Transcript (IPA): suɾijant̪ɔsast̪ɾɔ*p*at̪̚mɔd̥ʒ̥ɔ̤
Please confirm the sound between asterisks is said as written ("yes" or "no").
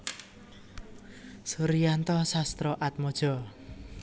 no